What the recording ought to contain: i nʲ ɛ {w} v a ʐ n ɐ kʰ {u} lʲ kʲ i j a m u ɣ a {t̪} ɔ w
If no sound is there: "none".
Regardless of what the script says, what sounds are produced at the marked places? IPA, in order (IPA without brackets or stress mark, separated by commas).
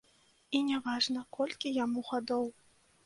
none, ɔ, d̪